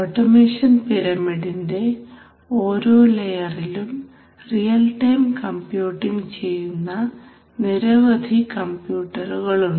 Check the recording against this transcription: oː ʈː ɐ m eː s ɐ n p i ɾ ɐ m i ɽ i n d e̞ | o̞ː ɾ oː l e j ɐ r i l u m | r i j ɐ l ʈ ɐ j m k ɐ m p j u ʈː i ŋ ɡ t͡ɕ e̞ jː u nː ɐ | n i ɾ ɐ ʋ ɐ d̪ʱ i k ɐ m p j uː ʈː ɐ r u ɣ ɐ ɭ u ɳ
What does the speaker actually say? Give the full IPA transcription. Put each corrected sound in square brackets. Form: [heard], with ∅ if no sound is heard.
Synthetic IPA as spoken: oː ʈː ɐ m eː [ʂ] ɐ n p i ɾ ɐ m i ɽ i n d e̞ | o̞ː ɾ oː l e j ɐ r i l u m | r i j ɐ l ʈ ɐ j m k ɐ m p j [uː] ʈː i ŋ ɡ t͡ɕ e̞ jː u nː ɐ | n i ɾ ɐ ʋ ɐ d̪ʱ i k ɐ m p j uː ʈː ɐ r u ɣ ɐ ɭ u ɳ